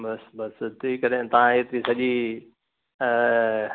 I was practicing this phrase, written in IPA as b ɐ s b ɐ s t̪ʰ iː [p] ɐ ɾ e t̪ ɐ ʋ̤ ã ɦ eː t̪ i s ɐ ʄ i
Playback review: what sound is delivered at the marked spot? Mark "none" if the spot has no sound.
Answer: k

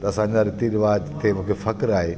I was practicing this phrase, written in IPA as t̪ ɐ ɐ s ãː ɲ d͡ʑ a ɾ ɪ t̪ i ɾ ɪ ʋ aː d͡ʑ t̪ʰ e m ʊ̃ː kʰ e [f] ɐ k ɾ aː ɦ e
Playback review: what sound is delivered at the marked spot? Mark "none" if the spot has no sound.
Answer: f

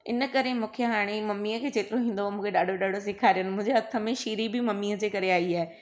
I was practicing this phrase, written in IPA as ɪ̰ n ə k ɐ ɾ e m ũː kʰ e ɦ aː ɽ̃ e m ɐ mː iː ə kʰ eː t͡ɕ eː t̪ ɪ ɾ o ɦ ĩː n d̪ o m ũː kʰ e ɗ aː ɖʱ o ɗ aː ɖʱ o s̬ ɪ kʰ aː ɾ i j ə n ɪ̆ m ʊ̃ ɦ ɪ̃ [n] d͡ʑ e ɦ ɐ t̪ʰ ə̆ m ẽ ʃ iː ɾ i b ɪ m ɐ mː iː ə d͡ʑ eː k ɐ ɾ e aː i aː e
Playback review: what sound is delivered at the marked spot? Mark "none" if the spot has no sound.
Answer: ɲ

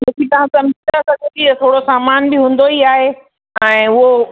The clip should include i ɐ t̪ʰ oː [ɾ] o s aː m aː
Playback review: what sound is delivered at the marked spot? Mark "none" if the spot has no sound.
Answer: ɽ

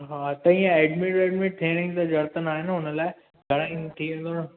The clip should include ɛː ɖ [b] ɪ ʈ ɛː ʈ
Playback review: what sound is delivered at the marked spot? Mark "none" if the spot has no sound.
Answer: m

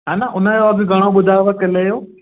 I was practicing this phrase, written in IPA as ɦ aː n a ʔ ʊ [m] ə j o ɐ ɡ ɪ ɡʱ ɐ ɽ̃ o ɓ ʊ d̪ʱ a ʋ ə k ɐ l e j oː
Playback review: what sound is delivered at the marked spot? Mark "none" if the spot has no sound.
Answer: n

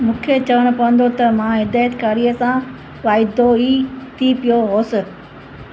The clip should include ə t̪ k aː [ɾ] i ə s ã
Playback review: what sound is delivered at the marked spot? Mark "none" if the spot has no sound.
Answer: ɾ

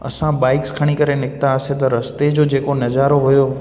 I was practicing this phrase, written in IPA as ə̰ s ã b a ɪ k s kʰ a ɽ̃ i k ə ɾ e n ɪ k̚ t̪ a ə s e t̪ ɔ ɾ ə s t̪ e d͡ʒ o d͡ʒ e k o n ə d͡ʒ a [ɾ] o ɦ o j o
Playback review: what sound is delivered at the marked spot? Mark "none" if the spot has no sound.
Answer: ɾ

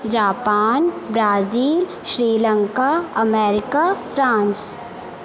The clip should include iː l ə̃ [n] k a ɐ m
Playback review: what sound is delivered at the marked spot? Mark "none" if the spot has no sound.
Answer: ŋ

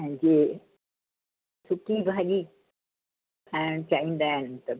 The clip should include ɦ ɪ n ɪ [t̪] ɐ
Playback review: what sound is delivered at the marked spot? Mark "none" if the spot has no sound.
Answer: t̪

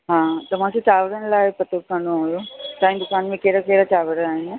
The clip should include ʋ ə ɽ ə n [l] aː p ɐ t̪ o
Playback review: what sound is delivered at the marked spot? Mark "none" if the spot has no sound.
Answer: l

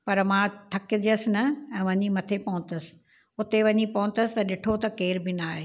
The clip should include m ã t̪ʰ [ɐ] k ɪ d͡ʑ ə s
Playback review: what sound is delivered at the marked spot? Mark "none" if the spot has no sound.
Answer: ɐ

